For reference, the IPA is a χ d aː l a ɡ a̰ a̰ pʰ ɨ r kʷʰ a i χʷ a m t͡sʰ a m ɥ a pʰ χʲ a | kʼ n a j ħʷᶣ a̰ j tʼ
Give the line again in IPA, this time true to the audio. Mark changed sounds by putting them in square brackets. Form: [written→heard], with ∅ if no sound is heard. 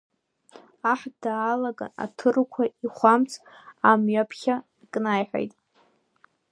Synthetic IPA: a [χ→ħ] d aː l a ɡ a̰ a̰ [pʰ→tʰ] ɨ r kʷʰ a i χʷ a m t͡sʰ a m ɥ a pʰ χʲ a | kʼ n a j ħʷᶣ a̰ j tʼ